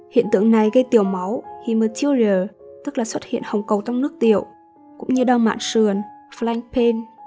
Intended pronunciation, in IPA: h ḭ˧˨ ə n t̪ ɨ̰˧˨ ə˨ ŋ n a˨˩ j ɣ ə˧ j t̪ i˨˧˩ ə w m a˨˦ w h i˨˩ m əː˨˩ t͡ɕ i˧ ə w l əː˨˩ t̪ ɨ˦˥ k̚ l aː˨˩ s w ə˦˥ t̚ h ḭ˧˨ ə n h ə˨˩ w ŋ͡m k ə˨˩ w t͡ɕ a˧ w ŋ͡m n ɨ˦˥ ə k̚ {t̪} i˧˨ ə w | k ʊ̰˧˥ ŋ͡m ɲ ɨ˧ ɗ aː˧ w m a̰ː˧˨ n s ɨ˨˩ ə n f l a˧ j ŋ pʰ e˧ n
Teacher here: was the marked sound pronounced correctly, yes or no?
yes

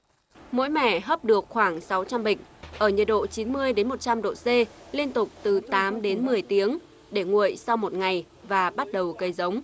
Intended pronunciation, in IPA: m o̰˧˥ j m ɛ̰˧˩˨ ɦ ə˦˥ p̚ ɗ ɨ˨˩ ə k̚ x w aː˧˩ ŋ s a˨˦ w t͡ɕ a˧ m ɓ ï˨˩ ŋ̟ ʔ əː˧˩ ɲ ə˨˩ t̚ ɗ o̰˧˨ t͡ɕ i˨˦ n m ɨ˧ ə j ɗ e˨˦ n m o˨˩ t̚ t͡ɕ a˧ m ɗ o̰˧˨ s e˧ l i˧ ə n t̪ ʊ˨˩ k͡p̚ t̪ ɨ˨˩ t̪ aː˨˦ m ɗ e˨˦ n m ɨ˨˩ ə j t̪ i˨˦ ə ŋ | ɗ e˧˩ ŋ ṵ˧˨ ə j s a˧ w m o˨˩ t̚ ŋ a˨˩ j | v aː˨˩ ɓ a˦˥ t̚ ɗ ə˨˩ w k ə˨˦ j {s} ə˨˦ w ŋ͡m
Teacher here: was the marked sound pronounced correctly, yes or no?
no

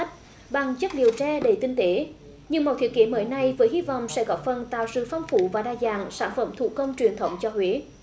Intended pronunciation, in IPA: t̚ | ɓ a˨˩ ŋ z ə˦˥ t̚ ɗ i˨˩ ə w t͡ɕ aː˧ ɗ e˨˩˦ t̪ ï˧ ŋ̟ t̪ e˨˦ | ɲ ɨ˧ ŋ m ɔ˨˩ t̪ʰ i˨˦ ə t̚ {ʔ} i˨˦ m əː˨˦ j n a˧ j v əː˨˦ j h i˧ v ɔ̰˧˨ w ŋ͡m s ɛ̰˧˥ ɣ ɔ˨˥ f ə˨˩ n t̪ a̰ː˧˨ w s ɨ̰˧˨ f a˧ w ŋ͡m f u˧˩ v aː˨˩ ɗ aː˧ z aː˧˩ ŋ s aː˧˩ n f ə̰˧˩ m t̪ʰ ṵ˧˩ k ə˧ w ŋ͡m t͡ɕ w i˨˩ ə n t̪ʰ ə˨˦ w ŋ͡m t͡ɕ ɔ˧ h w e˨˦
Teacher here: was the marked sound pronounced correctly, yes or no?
no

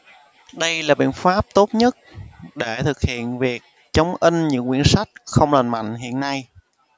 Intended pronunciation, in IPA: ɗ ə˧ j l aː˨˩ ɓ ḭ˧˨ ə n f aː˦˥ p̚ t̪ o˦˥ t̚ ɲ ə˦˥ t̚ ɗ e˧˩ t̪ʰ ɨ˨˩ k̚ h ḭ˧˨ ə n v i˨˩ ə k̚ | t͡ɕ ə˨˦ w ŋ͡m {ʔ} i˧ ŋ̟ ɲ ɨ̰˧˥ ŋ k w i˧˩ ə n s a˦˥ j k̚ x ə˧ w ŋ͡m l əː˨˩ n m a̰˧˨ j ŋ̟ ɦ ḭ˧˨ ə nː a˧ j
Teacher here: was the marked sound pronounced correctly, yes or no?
yes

